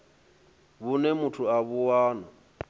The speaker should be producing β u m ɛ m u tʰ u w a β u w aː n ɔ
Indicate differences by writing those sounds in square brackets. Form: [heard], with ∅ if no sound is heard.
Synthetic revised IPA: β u [n] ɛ m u tʰ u [∅] a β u w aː n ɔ